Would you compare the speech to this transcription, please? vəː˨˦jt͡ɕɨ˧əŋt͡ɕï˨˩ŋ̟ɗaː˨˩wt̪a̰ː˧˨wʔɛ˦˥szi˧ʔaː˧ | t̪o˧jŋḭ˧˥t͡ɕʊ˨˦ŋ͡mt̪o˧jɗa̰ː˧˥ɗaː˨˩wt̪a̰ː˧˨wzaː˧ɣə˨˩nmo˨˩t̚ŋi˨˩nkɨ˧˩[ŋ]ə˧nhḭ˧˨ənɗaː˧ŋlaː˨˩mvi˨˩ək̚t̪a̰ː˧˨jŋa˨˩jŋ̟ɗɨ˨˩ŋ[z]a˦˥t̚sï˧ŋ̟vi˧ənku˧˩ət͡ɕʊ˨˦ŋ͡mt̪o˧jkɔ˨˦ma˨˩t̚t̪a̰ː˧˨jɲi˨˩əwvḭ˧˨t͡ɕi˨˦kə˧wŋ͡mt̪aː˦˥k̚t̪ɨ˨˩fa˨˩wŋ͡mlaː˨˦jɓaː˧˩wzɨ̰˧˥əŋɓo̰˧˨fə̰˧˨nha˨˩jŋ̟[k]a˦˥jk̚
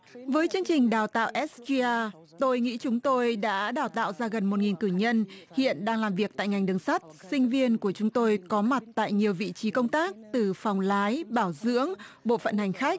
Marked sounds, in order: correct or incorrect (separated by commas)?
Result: incorrect, incorrect, incorrect